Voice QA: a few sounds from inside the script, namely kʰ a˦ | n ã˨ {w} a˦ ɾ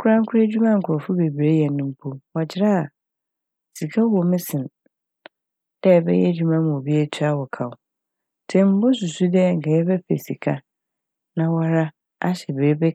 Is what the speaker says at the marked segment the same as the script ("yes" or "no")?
yes